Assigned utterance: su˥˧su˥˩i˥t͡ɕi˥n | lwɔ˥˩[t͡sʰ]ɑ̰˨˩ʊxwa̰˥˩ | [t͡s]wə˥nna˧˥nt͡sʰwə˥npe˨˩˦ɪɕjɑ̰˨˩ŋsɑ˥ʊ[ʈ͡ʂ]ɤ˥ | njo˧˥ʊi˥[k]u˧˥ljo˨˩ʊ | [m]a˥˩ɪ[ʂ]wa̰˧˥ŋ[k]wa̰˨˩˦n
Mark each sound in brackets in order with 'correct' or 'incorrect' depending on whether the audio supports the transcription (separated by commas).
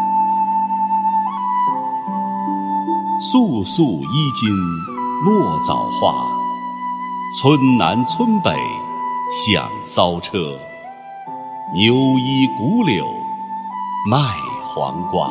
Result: incorrect, incorrect, incorrect, correct, correct, incorrect, correct